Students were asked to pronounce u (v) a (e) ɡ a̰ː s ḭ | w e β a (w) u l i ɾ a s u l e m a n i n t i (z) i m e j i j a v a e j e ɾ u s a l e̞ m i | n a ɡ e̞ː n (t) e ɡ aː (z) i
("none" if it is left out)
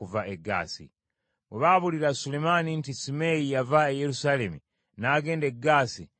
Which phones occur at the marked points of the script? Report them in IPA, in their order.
v, e, β, s, d, s

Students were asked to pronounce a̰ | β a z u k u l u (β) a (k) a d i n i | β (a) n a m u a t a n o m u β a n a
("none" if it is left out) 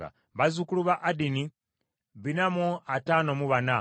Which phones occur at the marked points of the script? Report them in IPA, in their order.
β, ʔ, i

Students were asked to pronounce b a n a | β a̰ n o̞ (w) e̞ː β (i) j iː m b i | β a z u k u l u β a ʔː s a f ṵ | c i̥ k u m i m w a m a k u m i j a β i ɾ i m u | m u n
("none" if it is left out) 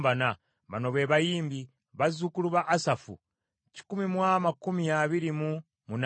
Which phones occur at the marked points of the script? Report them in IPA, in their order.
β, a

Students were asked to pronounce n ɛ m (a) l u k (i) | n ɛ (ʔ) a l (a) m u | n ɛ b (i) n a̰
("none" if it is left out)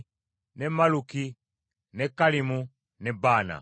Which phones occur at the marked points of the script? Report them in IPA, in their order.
a, i, k, i, a

